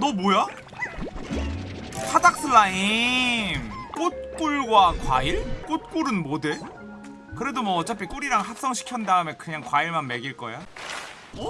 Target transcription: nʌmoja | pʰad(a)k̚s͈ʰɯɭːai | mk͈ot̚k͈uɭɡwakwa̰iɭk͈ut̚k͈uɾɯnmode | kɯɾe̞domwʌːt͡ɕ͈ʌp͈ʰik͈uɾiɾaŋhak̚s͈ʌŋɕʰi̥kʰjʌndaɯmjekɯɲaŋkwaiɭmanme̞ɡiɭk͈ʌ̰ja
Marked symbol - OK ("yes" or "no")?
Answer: yes